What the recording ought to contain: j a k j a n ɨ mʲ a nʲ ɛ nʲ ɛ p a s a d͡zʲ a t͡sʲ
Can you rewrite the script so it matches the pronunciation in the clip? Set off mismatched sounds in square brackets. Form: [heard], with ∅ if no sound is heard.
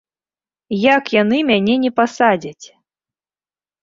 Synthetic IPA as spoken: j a k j a n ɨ mʲ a nʲ ɛ nʲ ɛ p a s a d͡zʲ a t͡sʲ